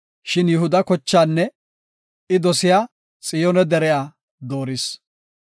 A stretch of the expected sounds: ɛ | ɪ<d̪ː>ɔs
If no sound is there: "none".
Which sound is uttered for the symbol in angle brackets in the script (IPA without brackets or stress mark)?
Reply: d̪